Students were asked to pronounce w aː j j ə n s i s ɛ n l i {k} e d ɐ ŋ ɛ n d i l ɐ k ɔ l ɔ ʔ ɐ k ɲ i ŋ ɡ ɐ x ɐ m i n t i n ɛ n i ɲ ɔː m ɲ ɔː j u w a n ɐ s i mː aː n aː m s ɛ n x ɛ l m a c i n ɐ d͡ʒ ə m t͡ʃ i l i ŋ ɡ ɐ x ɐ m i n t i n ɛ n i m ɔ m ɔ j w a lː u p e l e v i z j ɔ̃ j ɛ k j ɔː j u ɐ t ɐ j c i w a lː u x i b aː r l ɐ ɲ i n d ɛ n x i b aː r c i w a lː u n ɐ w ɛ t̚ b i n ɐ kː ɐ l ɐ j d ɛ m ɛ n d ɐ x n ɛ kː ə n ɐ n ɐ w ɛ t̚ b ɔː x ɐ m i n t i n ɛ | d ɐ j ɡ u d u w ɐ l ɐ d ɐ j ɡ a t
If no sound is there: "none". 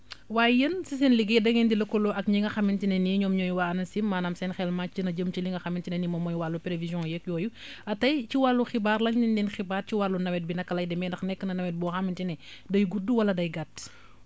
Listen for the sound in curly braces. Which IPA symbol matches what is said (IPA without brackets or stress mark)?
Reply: ɡ